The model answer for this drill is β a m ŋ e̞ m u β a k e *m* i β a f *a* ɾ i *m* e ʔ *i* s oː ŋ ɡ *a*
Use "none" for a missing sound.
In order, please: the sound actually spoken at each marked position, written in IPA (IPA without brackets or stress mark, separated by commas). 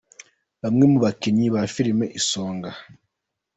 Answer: ɲ, i, m, i, a